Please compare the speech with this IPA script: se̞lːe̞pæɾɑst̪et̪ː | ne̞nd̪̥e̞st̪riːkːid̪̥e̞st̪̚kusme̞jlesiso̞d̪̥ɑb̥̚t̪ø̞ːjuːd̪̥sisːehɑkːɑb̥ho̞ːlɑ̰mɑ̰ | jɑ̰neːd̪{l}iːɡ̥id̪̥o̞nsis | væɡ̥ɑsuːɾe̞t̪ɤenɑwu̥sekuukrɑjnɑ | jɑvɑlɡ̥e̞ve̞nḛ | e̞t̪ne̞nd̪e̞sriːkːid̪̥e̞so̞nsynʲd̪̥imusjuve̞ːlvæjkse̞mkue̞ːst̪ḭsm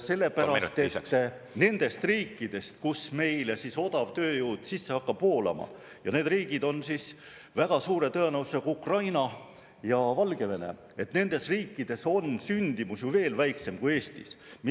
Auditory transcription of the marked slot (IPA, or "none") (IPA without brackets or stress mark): r